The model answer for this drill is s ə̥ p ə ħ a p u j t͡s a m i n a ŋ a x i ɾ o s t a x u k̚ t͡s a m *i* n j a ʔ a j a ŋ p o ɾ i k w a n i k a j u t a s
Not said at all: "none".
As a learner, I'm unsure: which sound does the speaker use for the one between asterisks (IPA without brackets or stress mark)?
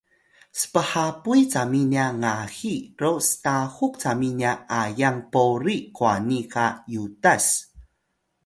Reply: i